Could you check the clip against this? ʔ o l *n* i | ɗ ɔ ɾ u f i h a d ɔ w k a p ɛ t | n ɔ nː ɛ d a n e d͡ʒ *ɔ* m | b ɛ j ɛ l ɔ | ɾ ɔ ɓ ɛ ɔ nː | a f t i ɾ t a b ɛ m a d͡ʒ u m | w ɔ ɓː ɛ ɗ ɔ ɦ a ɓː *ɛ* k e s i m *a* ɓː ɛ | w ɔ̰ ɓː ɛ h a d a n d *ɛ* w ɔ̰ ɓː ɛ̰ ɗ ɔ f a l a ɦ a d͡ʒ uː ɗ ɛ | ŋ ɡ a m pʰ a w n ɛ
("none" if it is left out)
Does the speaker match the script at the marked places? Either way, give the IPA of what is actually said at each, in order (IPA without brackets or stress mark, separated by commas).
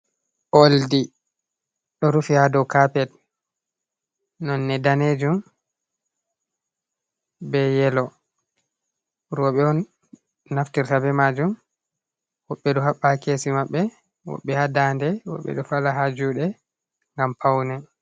d, u, a, a, ɛ